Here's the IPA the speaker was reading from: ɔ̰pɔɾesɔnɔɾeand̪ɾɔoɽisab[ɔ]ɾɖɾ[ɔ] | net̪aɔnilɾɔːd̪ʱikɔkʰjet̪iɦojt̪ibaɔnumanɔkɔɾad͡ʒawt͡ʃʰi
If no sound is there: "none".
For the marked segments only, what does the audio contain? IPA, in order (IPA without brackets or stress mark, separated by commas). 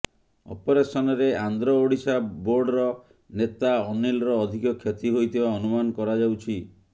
o, ɔ